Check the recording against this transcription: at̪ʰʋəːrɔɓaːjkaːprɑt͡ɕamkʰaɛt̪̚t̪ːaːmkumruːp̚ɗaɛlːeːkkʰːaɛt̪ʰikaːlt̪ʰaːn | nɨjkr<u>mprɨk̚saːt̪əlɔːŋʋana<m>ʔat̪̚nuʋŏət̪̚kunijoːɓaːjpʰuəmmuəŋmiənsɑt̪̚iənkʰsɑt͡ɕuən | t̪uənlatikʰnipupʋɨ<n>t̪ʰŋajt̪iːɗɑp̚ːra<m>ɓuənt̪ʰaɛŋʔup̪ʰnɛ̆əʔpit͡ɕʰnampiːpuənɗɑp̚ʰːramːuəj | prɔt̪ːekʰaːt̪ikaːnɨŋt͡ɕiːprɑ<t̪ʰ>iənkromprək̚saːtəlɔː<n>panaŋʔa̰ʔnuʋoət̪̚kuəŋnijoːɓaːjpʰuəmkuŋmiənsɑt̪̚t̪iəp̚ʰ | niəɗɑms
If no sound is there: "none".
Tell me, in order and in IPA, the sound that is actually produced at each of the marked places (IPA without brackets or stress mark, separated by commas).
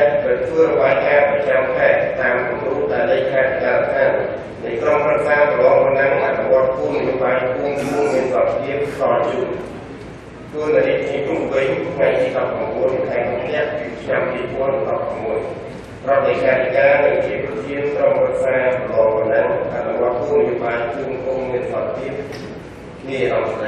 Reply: o, ŋ, ɲ, m, t̪ʰ, ŋ